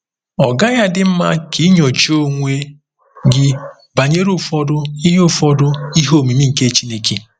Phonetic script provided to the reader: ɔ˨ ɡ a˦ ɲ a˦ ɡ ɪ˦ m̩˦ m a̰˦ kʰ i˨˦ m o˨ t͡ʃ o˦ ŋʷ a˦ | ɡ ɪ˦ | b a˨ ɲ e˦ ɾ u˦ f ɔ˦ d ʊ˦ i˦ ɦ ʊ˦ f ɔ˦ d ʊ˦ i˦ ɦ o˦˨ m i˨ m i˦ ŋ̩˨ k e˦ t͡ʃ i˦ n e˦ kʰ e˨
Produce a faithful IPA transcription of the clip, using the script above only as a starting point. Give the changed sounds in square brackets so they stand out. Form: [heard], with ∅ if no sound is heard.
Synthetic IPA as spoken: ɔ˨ ɡ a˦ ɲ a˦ [d] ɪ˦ m̩˦ m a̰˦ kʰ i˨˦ [ɲ] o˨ t͡ʃ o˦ ŋʷ [e˦] | ɡ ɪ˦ | b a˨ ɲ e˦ ɾ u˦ f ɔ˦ d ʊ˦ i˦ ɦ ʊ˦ f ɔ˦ d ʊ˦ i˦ ɦ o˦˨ m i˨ m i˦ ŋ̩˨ k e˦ t͡ʃ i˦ n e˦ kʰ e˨